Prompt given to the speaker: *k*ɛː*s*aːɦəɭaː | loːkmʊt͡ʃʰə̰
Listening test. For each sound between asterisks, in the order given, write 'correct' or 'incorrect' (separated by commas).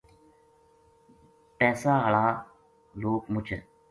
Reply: incorrect, correct